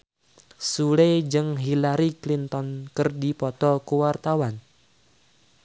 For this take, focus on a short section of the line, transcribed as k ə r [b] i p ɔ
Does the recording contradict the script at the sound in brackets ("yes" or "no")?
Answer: yes